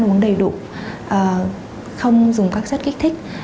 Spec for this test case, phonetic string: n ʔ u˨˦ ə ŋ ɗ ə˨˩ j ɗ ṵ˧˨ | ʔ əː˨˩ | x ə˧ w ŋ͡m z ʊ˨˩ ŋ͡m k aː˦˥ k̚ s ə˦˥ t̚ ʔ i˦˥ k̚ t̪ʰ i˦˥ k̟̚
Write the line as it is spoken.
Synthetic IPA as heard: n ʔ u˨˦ ə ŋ ɗ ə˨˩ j ɗ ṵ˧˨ | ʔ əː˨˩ | x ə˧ w ŋ͡m z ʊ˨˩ ŋ͡m k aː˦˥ k̚ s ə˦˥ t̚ k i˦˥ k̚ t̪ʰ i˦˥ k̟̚